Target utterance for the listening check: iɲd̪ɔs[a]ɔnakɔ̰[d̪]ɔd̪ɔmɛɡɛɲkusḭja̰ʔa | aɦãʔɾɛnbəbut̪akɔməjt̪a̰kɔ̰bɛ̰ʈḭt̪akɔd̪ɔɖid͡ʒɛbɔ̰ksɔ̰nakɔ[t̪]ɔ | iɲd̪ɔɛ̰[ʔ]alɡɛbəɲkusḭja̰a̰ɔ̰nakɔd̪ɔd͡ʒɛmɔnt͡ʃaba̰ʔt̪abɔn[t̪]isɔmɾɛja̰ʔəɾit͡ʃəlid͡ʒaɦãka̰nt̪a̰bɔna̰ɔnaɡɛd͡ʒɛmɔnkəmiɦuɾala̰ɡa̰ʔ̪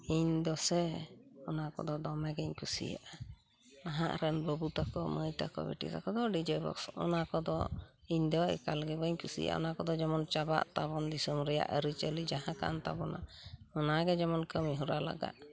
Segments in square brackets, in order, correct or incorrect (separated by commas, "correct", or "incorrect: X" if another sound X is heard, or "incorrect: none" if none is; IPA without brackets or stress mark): incorrect: ɛ, correct, incorrect: d̪, incorrect: k, incorrect: d̪